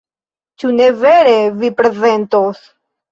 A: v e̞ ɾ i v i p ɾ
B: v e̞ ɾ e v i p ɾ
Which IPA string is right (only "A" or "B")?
B